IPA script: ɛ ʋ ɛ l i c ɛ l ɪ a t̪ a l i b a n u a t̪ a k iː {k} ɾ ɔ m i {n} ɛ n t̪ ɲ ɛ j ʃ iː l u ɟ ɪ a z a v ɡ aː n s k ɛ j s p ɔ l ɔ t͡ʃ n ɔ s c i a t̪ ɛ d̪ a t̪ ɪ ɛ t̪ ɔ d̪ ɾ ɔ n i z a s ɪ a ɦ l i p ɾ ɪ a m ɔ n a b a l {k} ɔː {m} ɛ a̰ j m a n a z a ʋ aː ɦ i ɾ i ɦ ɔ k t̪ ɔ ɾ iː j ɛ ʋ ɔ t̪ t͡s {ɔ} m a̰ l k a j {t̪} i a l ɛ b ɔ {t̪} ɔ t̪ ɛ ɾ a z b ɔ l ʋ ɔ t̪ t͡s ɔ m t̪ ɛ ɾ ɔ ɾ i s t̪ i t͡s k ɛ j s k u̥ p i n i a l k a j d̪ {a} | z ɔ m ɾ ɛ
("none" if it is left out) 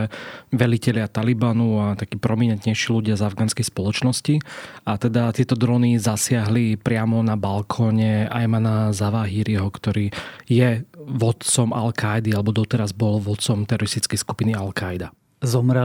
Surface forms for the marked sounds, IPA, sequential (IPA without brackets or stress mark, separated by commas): p, ɲ, kʰ, ɲ, ɔ, d̪, d̪, a